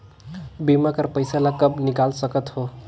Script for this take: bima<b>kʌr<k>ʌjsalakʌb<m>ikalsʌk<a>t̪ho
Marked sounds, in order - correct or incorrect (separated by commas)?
incorrect, incorrect, incorrect, incorrect